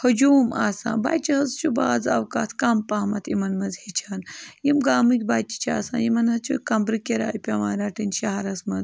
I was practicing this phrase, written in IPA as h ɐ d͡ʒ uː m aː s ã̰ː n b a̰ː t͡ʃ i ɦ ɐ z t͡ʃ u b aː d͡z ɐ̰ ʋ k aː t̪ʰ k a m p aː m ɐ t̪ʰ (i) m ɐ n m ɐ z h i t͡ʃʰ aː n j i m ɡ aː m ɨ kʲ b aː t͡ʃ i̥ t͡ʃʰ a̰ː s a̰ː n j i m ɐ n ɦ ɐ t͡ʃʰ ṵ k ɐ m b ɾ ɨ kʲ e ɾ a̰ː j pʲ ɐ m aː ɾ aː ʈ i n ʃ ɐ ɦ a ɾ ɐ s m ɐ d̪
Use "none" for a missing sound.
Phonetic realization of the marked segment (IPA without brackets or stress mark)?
i